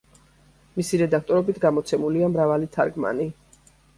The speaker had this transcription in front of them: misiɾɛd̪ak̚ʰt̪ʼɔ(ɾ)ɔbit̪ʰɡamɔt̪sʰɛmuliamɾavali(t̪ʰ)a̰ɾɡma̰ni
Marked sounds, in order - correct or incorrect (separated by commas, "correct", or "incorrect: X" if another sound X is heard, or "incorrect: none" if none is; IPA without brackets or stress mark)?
correct, correct